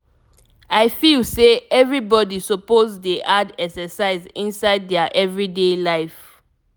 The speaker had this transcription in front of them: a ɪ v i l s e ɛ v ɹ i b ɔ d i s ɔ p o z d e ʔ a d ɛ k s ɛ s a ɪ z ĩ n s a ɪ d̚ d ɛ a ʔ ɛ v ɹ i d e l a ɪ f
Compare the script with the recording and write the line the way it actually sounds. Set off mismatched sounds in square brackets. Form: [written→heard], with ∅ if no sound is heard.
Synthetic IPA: a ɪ [v→f] i l s e ɛ v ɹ i b ɔ d i s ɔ p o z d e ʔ a d ɛ k s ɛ s a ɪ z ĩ n s a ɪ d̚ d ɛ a ʔ ɛ v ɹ i d e l a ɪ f